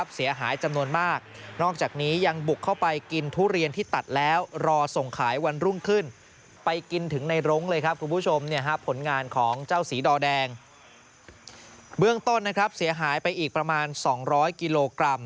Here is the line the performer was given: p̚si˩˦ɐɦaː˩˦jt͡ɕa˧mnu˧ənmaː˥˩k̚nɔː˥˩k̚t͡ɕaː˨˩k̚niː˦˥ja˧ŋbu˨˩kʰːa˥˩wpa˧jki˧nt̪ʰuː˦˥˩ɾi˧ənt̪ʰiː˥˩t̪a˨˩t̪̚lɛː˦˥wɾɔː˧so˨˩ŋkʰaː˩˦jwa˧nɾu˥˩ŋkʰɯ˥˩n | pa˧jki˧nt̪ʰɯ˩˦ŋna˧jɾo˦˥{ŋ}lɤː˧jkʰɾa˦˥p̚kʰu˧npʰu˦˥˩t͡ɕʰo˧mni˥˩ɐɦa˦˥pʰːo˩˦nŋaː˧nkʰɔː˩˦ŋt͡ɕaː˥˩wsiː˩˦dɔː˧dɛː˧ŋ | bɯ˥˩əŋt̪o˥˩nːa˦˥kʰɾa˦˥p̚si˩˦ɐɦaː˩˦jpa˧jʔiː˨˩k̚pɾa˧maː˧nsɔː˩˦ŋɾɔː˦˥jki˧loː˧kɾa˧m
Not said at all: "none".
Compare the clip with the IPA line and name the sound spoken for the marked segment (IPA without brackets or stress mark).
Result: ŋ